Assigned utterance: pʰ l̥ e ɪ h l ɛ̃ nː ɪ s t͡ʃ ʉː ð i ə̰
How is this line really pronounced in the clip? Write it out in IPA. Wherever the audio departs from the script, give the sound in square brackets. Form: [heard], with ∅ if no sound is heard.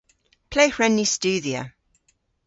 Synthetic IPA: pʰ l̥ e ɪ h [ɹ] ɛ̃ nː [i] s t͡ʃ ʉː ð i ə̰